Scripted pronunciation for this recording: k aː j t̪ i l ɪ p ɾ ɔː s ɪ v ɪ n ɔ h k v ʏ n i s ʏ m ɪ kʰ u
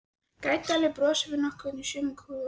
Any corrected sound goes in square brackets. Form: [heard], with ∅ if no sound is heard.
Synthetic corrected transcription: k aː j t̪ [a] l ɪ p ɾ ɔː s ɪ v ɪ n ɔ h k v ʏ n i s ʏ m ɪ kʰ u

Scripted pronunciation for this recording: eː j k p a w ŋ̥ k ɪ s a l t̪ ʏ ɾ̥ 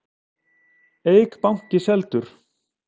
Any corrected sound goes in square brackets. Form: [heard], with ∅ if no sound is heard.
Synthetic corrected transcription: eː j k p a w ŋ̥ [c] ɪ s [ɛ] l t̪ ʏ ɾ̥

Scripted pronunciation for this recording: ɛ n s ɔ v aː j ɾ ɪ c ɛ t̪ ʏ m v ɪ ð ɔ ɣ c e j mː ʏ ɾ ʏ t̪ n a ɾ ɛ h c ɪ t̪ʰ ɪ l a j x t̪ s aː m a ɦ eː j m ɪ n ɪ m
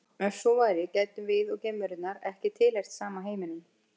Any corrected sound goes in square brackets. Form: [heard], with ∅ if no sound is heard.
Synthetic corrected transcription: ɛ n s ɔ v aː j ɾ ɪ c ɛ t̪ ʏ m v ɪ ð ɔ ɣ c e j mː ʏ ɾ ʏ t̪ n a ɾ ɛ h c ɪ t̪ʰ ɪ l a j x t̪ s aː m a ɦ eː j m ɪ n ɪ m

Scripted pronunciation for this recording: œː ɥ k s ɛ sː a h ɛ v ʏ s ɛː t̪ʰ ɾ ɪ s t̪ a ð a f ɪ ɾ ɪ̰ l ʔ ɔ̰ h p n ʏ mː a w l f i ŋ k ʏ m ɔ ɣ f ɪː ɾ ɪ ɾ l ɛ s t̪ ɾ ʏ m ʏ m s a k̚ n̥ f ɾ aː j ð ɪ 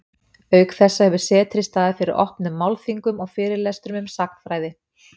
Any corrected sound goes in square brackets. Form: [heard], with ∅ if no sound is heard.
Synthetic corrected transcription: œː ɥ k [θ] ɛ sː a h ɛ v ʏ s ɛː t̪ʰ ɾ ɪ s t̪ a ð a f ɪ ɾ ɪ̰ [ɾ] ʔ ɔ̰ h p n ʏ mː a w l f i ŋ k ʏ m ɔ ɣ f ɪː ɾ ɪ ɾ l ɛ s t̪ ɾ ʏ m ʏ m s a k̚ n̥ f ɾ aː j ð ɪ

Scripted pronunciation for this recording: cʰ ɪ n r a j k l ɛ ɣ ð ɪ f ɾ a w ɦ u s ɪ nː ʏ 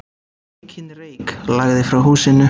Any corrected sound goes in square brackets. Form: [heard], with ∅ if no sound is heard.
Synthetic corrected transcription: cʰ ɪ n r [e] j k l [a] ɣ ð ɪ f ɾ a w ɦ [uː] s ɪ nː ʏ

